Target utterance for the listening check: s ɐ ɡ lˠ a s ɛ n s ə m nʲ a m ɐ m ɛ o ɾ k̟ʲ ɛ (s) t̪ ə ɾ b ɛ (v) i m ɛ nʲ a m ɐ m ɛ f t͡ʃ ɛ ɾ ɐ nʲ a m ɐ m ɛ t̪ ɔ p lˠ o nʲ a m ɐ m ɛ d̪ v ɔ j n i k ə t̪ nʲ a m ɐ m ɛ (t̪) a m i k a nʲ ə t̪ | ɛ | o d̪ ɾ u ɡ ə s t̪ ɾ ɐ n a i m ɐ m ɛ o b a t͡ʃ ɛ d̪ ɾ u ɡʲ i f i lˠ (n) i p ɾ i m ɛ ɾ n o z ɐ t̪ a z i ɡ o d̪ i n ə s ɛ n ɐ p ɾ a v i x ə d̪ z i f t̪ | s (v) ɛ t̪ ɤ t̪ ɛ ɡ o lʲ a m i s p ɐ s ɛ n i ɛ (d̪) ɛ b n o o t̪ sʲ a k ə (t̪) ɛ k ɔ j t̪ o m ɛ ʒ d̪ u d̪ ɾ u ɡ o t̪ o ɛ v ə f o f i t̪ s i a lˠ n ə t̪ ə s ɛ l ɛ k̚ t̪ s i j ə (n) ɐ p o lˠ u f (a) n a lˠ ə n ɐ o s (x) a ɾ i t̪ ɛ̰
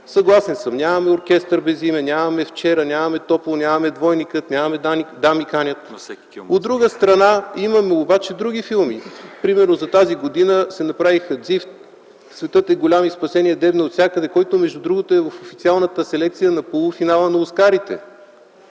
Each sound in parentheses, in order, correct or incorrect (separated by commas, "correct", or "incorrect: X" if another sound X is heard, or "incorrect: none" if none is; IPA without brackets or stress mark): correct, incorrect: z, incorrect: d̪, incorrect: m, correct, correct, incorrect: d̪, correct, incorrect: i, incorrect: k